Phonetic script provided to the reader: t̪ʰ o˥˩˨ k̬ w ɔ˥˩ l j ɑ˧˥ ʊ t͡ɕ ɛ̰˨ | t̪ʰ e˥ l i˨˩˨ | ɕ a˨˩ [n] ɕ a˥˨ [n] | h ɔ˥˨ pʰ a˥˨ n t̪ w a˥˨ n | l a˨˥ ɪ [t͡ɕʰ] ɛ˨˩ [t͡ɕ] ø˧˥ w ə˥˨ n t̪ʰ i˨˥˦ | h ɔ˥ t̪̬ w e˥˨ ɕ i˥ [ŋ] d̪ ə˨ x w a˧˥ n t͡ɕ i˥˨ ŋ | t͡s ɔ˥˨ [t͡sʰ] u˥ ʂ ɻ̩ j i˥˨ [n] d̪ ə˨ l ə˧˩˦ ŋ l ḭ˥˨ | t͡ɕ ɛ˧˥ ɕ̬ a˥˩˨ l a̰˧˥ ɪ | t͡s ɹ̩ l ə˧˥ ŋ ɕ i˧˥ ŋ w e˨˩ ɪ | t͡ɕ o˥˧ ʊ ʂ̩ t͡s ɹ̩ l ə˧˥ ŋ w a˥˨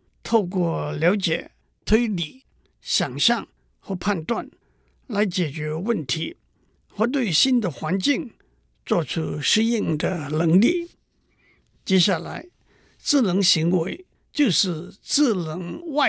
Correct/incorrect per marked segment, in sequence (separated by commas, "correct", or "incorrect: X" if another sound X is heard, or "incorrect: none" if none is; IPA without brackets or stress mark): incorrect: ŋ, incorrect: ŋ, incorrect: t͡ɕ, correct, incorrect: n, correct, incorrect: ŋ